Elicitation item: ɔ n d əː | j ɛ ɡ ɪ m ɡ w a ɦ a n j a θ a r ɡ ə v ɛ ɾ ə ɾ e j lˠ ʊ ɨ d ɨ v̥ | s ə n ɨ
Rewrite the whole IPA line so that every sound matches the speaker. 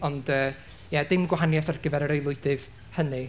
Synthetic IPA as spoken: ɔ n d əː | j ɛ d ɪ m ɡ w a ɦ a n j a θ a r ɡ ə v ɛ ɾ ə ɾ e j lˠ ʊ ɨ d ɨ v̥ | h ə n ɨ